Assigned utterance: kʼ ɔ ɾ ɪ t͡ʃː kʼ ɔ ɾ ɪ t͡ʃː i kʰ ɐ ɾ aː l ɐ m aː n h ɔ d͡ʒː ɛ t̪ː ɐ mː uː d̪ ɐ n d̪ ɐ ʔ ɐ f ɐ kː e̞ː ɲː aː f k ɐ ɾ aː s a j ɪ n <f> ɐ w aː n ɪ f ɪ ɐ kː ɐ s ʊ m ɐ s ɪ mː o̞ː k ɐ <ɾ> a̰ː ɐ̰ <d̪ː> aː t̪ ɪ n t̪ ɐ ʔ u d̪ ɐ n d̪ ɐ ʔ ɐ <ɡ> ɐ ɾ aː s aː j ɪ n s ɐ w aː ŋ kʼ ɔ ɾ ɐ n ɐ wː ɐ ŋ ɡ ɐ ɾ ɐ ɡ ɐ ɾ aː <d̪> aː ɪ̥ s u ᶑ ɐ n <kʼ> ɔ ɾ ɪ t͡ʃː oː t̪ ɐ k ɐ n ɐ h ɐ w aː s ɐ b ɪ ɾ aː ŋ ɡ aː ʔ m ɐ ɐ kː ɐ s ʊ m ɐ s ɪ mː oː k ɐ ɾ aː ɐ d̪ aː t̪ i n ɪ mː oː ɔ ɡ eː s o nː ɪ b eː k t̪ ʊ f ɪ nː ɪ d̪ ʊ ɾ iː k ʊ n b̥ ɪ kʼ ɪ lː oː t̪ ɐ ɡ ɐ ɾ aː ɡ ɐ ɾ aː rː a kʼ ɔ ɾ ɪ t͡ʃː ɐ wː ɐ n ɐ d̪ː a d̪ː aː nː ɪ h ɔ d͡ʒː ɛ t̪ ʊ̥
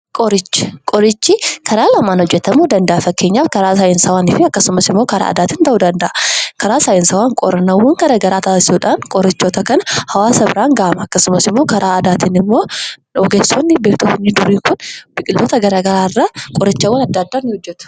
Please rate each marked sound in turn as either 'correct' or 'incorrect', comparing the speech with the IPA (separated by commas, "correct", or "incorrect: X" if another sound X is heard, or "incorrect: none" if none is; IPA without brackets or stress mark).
incorrect: s, correct, incorrect: d̪, incorrect: k, incorrect: t̪, correct